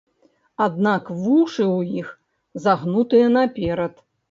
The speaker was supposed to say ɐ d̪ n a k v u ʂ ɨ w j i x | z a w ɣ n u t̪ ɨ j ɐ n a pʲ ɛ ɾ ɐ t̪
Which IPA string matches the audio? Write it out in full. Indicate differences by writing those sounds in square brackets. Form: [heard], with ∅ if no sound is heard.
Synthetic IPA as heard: [a] d̪ n a k v u ʂ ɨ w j i x | z a [∅] ɣ n u t̪ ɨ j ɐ n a pʲ ɛ ɾ ɐ t̪

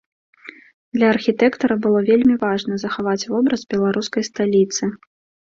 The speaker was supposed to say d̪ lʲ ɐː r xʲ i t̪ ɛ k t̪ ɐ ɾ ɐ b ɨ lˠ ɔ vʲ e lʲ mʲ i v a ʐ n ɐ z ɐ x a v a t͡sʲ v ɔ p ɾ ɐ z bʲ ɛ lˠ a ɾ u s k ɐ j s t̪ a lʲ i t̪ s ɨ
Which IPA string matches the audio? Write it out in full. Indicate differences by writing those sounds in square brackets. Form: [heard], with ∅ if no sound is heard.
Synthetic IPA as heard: d̪ lʲ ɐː r xʲ i t̪ ɛ k t̪ ɐ ɾ ɐ b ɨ lˠ ɔ vʲ e lʲ mʲ i v a ʐ n ɐ z ɐ x a v a t͡sʲ v ɔ [b] ɾ ɐ z bʲ ɛ lˠ a ɾ u s k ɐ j s t̪ a lʲ i t̪ s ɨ

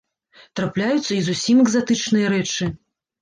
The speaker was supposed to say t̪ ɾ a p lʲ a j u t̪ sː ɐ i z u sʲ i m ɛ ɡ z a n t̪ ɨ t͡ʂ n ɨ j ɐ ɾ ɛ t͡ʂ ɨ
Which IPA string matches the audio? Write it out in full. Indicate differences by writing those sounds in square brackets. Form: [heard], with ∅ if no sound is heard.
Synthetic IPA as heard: t̪ ɾ a p lʲ a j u t̪ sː ɐ i z u sʲ i m ɛ ɡ z a [∅] t̪ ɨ t͡ʂ n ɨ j ɐ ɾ ɛ t͡ʂ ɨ

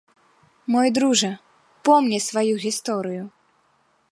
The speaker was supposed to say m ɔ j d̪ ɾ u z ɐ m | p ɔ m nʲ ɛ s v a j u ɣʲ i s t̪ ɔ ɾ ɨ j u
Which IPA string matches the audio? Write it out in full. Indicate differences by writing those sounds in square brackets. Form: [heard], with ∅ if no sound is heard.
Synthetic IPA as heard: m ɔ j d̪ ɾ u [ʐ] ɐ [∅] | p ɔ m nʲ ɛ s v a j u ɣʲ i s t̪ ɔ ɾ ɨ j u

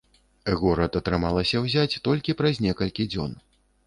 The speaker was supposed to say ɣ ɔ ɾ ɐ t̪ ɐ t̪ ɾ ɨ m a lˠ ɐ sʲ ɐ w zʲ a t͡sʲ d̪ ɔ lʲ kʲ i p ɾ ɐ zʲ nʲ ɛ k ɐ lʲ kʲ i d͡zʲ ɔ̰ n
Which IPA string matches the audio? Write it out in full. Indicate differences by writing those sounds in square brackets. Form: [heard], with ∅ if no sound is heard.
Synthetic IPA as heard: ɣ ɔ ɾ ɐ t̪ ɐ t̪ ɾ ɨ m a lˠ ɐ sʲ ɐ w zʲ a t͡sʲ [t̪] ɔ lʲ kʲ i p ɾ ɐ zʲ nʲ ɛ k ɐ lʲ kʲ i d͡zʲ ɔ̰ n

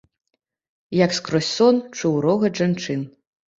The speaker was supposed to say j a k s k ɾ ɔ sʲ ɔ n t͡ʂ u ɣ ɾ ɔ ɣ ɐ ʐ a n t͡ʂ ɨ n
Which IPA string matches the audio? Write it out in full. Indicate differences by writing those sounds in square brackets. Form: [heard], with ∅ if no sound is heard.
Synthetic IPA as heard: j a k s k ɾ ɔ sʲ ɔ n t͡ʂ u [w] ɾ ɔ ɣ ɐ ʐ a n t͡ʂ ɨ n

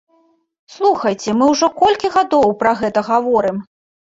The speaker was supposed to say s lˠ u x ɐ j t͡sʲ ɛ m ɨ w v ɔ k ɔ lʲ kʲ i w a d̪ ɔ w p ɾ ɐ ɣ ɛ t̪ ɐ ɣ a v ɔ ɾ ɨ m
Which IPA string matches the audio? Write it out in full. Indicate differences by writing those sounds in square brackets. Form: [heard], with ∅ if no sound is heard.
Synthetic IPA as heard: s lˠ u x ɐ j t͡sʲ ɛ m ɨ w [ʐ] ɔ k ɔ lʲ kʲ i [ɣ] a d̪ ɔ w p ɾ ɐ ɣ ɛ t̪ ɐ ɣ a v ɔ ɾ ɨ m

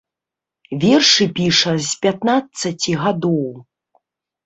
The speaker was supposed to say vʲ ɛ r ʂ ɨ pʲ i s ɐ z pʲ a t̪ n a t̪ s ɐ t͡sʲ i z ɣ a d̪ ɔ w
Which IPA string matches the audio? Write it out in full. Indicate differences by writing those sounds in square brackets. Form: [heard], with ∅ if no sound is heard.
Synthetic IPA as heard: vʲ ɛ r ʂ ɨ pʲ i [ʂ] ɐ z pʲ a t̪ n a t̪ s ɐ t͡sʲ i [∅] ɣ a d̪ ɔ w

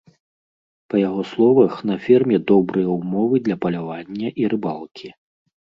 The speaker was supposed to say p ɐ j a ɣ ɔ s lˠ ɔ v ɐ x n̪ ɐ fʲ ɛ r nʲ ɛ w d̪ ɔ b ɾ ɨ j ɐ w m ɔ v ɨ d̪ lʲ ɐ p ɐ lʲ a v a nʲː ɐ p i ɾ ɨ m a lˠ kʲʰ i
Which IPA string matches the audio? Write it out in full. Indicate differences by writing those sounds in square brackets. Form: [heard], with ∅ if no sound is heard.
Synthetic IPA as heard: p ɐ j a ɣ ɔ s lˠ ɔ v ɐ x n̪ ɐ fʲ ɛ r [mʲ] ɛ [∅] d̪ ɔ b ɾ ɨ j ɐ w m ɔ v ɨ d̪ lʲ ɐ p ɐ lʲ a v a nʲː ɐ [ʔ] i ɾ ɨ [b] a lˠ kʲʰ i

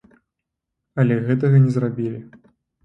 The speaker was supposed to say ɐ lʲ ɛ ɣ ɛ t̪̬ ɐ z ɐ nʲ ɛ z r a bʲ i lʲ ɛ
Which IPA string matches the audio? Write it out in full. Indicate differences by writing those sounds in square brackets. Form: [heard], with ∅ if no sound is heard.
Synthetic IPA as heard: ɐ lʲ ɛ ɣ ɛ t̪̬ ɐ [ɣ] ɐ nʲ ɛ z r a bʲ i lʲ [i]

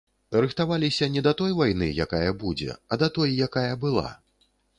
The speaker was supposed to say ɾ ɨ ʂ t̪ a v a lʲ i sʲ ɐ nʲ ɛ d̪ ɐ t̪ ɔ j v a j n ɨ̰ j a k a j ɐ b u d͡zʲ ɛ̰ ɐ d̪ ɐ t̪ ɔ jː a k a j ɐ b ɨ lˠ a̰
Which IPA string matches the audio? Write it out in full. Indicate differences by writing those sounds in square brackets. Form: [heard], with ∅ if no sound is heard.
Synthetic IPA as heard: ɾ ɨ [x] t̪ a v a lʲ i sʲ ɐ nʲ ɛ d̪ ɐ t̪ ɔ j v a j n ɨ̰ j a k a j ɐ b u d͡zʲ ɛ̰ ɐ d̪ ɐ t̪ ɔ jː a k a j ɐ b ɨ lˠ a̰

